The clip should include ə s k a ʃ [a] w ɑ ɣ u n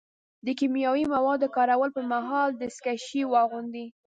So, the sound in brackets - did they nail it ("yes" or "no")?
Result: no